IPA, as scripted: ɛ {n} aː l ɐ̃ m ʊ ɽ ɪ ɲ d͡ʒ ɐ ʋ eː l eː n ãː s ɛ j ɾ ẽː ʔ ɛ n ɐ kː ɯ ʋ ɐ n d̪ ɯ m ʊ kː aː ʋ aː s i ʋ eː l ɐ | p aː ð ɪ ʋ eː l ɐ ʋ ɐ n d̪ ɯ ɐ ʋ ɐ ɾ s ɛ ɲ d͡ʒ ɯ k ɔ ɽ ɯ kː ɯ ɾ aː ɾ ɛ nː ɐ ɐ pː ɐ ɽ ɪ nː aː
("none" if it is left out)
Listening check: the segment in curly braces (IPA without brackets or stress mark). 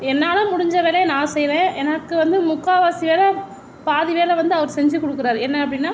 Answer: nː